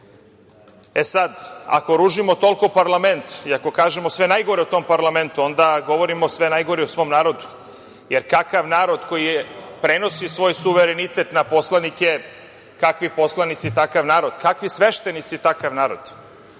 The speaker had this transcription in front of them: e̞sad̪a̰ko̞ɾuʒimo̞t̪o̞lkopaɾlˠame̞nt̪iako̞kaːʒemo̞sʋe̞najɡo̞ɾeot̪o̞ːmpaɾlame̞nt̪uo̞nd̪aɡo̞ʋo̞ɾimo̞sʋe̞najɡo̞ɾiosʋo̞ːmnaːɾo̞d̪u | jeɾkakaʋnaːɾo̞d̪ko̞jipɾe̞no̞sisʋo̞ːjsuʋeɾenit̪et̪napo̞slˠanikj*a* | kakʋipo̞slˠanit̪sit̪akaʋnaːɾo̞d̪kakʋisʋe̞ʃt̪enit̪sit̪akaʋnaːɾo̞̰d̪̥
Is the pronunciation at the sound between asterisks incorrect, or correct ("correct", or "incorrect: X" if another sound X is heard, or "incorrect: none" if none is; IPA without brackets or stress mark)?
incorrect: e